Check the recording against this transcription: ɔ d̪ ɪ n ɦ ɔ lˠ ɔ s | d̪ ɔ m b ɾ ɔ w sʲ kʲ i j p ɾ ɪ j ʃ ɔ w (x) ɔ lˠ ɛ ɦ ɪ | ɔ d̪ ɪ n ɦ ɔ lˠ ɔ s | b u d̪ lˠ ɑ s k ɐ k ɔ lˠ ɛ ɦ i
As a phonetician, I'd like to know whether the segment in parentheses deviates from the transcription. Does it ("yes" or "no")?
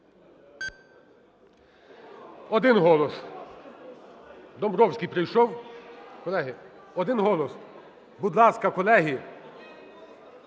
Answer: yes